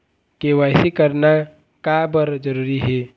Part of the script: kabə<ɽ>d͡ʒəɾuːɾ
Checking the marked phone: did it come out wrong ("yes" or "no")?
yes